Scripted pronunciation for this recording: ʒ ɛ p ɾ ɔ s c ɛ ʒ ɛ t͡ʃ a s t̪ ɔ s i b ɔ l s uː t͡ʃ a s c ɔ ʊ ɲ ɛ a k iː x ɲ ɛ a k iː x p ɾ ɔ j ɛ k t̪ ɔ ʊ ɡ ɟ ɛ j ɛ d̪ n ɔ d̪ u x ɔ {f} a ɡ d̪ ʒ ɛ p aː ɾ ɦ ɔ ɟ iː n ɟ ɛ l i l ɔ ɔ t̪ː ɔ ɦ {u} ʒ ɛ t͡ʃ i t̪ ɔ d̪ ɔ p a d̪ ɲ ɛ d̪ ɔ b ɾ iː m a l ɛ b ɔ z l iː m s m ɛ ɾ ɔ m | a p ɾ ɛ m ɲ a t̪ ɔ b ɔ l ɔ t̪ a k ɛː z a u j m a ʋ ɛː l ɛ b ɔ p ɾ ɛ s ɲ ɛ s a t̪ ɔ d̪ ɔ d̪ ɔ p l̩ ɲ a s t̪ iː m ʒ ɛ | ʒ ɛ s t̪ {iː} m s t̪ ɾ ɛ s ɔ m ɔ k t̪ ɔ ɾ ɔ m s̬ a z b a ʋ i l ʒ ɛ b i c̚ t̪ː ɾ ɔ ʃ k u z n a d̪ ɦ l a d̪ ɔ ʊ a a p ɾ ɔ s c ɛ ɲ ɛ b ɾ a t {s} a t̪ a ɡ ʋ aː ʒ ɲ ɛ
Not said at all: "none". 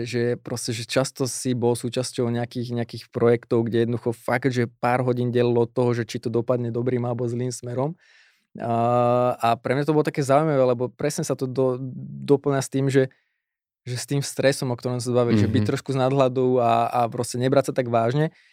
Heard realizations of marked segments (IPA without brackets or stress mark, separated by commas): f, ɔ, iː, s